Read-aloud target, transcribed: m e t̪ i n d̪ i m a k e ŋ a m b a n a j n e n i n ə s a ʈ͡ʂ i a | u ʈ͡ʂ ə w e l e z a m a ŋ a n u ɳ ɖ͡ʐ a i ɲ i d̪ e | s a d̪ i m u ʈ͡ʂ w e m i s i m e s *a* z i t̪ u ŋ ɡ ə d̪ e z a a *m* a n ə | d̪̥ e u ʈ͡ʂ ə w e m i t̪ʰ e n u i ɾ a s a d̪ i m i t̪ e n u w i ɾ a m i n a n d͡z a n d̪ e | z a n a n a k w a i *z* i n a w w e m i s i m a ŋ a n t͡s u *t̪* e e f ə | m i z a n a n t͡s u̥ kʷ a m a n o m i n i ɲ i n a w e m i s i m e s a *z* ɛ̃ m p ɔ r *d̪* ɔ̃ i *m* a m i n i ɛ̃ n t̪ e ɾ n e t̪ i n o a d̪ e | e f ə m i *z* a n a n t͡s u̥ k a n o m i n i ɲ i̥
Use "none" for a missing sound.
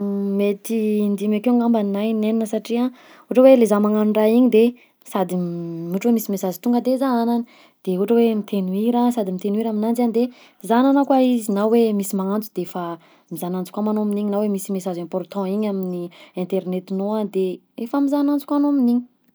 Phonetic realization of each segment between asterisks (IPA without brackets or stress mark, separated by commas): a, n, z, d̪, z, t̪, ɲ, z